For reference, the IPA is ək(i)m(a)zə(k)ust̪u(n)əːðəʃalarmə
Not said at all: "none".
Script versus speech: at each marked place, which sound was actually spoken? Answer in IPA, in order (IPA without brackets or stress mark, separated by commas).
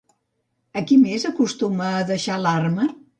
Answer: i, e, k, m